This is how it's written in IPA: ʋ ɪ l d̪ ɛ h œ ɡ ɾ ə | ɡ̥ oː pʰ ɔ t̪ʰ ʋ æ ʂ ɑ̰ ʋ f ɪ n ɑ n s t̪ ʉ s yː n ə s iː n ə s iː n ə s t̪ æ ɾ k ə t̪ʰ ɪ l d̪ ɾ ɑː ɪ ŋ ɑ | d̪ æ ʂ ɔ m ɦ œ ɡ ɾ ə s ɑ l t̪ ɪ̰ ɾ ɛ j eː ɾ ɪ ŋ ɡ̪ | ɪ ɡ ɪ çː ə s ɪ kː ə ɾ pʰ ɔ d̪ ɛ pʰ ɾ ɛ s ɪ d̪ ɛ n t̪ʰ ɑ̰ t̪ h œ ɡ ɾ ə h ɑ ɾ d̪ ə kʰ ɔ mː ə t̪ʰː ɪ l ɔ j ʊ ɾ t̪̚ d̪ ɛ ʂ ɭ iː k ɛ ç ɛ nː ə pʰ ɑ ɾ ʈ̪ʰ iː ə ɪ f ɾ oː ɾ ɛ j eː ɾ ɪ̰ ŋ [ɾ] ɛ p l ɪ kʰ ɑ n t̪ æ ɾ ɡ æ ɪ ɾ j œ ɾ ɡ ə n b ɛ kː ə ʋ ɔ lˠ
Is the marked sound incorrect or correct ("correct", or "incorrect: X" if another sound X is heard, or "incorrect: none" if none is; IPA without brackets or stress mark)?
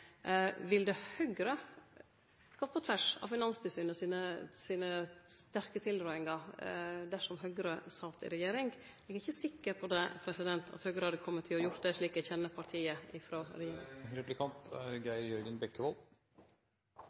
correct